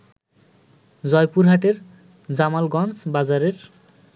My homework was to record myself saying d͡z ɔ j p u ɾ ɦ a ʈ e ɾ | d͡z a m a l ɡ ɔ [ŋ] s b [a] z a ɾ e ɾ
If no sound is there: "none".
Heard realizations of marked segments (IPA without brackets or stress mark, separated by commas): n, a